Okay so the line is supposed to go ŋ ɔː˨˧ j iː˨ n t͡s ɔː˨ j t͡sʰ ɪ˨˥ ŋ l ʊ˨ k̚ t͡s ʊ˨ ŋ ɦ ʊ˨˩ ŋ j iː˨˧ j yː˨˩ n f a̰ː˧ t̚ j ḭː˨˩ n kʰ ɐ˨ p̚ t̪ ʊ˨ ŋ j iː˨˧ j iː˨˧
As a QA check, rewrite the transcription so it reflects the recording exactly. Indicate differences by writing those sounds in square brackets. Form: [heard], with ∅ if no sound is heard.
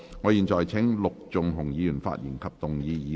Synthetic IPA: ŋ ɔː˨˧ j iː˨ n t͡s ɔː˨ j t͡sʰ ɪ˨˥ ŋ l ʊ˨ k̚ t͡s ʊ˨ ŋ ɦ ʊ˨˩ ŋ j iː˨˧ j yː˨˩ n f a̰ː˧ t̚ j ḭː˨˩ n kʰ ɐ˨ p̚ t̪ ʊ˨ ŋ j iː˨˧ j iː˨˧

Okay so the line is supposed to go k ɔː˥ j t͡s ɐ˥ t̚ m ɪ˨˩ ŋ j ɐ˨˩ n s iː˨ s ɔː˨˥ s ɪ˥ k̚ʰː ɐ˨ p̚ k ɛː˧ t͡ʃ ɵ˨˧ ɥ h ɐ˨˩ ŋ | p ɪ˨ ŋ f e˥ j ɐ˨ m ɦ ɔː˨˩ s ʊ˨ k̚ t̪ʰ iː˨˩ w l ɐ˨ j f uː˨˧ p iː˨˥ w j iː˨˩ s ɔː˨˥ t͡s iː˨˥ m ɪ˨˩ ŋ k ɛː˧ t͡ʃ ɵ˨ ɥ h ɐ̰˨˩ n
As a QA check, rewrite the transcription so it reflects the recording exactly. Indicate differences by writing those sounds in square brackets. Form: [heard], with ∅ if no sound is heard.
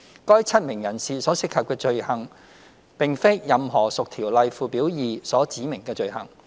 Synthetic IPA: k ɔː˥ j [t͡sʰ] ɐ˥ t̚ m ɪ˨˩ ŋ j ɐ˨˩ n s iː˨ s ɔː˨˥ s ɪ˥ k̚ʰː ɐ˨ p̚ k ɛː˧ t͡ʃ ɵ˨˧ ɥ h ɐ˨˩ ŋ | p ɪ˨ ŋ f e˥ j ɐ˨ m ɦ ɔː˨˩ s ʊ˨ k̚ t̪ʰ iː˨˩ w l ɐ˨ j f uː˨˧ p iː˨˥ w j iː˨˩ s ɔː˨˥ t͡s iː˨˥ m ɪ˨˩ ŋ k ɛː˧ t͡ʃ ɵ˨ ɥ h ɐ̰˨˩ [ŋ]

